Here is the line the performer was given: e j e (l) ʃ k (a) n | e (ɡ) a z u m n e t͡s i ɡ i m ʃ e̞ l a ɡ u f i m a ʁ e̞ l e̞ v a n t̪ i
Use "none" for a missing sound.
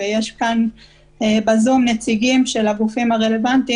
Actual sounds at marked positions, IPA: none, a, b

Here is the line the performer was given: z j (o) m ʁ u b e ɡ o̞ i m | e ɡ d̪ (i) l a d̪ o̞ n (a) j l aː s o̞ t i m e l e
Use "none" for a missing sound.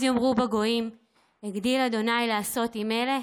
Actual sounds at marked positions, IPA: o, i, a

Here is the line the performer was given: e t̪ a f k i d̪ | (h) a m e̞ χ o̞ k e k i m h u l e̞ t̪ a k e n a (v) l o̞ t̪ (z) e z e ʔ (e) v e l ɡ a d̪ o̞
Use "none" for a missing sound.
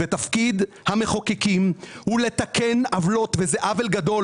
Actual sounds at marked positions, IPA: h, v, v, a

